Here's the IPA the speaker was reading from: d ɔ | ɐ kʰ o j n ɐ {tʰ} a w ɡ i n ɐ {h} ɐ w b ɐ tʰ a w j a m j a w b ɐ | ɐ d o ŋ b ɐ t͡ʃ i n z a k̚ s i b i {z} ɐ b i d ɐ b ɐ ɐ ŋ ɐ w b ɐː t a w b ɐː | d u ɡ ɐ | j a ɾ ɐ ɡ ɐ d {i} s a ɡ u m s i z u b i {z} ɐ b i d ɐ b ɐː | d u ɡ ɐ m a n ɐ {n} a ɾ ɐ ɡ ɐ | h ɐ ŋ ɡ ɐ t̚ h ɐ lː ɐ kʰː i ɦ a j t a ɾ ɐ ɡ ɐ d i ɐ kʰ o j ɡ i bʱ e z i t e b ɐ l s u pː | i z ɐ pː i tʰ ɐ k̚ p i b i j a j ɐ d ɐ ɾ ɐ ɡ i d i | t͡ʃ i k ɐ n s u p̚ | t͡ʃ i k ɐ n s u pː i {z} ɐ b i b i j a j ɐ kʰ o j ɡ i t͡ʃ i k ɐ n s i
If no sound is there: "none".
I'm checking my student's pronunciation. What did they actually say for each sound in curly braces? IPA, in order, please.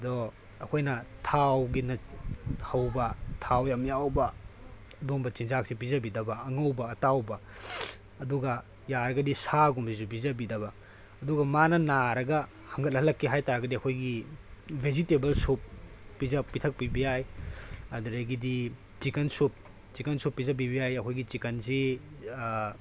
tʰ, h, z, i, z, n, z

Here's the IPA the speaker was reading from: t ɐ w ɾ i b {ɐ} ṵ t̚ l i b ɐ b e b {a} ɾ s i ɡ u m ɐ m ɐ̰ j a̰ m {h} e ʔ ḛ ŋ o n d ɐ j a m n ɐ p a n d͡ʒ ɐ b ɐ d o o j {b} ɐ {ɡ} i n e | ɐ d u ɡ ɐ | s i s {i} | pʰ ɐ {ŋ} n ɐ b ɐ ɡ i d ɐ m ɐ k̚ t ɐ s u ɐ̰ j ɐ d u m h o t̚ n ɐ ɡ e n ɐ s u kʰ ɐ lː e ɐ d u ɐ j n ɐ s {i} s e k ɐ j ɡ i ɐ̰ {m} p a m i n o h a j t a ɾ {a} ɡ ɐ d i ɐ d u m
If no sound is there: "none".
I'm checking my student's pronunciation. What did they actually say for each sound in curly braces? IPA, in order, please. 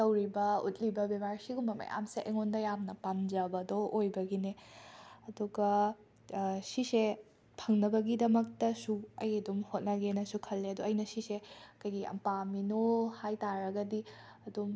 ɐ, a, s, b, ɡ, e, ŋ, i, m, ɐ

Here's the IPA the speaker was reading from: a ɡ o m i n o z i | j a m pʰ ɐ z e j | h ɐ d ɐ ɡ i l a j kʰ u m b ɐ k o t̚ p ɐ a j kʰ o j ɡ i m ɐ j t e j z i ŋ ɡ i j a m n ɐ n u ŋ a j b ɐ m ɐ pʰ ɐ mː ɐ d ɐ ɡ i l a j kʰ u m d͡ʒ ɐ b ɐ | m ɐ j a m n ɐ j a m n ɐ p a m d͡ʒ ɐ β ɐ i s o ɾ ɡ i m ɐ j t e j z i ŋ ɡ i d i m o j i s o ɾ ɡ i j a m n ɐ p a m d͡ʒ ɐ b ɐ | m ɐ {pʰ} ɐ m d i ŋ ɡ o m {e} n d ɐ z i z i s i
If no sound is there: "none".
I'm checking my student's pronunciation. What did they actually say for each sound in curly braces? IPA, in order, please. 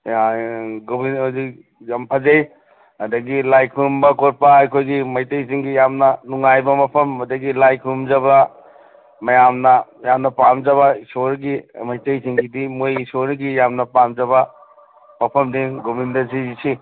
pʰ, i

